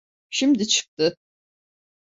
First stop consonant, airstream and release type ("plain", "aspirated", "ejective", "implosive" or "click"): plain